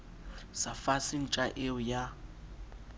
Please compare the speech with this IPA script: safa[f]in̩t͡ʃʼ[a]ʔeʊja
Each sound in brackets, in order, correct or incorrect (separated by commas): incorrect, correct